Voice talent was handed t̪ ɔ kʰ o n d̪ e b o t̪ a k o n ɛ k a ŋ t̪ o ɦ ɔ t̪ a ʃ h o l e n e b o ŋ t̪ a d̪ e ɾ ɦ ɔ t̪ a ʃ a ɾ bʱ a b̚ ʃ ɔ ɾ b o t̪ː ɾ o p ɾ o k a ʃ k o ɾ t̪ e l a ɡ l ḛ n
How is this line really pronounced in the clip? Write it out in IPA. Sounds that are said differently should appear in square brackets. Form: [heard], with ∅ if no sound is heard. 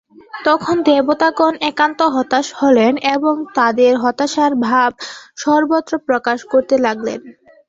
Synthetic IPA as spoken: t̪ ɔ kʰ o n d̪ e b o t̪ a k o n ɛ k a [n] t̪ o ɦ ɔ t̪ a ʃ h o l e n e b o ŋ t̪ a d̪ e ɾ ɦ ɔ t̪ a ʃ a ɾ bʱ a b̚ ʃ ɔ ɾ b o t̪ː ɾ o p ɾ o k a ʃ k o ɾ t̪ e l a ɡ l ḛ n